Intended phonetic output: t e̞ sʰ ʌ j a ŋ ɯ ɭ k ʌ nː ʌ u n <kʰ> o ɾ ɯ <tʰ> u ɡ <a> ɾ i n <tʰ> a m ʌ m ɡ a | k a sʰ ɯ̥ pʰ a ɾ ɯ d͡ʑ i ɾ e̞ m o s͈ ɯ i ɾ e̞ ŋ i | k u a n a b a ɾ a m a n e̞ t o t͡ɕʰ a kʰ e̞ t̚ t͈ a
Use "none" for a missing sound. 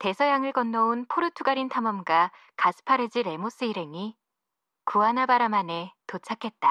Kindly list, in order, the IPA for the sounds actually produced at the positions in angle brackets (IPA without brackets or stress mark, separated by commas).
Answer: pʰ, tʰ, a, tʰ